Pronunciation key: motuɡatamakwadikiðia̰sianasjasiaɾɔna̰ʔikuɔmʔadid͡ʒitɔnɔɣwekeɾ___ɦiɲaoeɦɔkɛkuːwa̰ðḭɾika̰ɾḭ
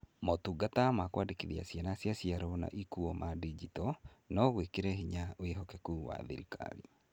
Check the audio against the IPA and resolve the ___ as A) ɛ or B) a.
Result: A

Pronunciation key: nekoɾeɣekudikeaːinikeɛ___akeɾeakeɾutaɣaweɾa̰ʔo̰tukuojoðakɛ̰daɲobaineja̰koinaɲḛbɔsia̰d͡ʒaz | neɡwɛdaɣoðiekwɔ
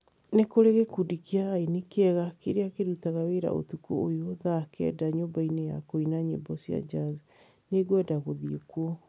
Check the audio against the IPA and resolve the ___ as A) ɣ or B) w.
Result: A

